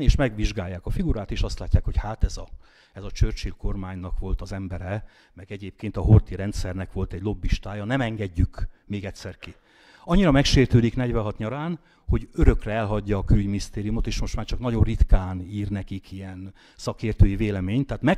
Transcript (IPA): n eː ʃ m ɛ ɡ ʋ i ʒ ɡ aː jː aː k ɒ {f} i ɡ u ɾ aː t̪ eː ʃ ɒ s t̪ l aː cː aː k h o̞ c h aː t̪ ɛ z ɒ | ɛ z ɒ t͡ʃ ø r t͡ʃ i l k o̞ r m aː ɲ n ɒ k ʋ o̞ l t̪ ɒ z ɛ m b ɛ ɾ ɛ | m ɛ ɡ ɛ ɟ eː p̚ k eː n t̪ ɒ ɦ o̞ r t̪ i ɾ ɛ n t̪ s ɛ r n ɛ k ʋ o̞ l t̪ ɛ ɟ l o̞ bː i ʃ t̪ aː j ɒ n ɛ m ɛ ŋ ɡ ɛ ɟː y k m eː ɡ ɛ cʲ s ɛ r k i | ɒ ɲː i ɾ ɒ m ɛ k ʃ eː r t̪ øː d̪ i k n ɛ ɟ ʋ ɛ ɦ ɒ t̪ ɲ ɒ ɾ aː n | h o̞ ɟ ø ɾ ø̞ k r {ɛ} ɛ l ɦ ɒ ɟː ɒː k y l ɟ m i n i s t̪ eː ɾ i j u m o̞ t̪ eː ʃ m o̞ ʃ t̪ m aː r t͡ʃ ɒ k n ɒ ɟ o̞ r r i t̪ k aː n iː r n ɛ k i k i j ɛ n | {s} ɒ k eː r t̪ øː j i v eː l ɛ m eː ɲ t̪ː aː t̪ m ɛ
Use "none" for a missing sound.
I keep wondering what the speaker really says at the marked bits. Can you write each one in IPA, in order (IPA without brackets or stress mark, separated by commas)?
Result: f, ɛ, s